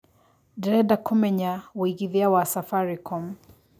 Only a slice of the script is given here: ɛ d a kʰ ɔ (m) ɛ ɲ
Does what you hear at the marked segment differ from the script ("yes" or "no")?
no